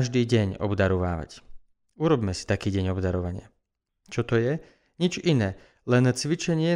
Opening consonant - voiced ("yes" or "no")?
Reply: yes